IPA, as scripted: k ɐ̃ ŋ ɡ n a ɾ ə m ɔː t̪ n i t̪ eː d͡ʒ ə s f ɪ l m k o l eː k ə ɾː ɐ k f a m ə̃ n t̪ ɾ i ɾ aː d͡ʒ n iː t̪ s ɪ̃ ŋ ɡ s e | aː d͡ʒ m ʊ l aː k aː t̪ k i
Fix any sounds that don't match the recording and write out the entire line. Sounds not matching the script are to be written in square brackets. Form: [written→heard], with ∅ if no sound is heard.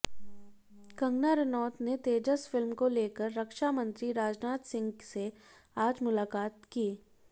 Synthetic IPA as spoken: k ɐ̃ ŋ ɡ n a ɾ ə [m→n] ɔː t̪ n [i→e] t̪ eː d͡ʒ ə s f ɪ l m k o l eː k ə ɾː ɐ k [f→ʃ] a m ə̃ n t̪ ɾ i ɾ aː d͡ʒ n [iː→aː] t̪ s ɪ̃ ŋ ɡ s e | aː d͡ʒ m ʊ l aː k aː t̪ k [i→iː]